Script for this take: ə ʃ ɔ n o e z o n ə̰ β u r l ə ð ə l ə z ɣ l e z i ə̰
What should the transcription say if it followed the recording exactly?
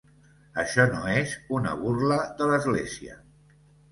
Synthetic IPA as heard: ə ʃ ɔ n o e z u n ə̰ β u r l ə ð ə l ə z ɣ l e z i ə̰